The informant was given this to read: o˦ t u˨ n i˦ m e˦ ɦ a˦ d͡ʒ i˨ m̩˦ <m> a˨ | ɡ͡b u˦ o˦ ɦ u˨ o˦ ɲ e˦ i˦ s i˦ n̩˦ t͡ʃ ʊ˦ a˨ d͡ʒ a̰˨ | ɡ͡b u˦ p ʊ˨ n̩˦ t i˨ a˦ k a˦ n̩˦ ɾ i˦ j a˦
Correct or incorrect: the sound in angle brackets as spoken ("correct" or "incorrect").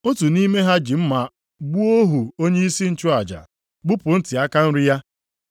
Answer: correct